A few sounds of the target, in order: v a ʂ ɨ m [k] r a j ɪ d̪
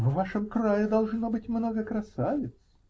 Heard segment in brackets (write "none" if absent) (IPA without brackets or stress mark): k